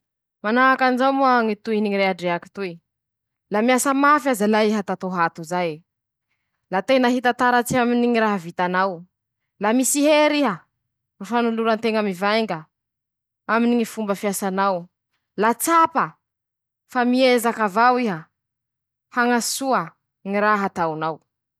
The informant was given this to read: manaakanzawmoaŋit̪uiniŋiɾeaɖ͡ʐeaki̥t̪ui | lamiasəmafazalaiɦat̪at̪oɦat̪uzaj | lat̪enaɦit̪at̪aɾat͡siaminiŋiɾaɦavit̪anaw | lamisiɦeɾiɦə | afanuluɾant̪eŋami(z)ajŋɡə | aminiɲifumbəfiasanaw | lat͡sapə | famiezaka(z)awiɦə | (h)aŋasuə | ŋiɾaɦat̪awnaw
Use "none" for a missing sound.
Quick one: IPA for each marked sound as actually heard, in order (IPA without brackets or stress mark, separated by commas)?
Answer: v, v, h